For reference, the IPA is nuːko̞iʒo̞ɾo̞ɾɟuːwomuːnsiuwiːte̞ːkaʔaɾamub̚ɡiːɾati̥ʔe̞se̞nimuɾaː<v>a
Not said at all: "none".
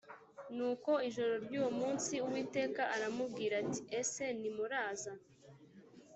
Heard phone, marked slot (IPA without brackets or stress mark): z